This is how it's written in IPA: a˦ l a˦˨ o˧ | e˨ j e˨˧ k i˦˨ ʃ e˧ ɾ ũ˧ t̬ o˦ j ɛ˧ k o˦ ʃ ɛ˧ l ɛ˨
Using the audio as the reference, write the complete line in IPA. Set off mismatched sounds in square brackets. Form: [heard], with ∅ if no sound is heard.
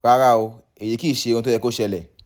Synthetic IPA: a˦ [ɾ] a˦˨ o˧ | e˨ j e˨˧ k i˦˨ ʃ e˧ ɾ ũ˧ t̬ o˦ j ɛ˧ k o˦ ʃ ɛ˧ l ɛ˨